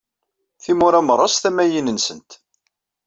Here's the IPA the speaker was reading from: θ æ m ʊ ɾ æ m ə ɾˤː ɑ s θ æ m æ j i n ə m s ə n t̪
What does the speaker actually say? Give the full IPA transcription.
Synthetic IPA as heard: θ i m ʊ ɾ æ m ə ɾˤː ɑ s θ æ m æ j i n ə n s ə n t̪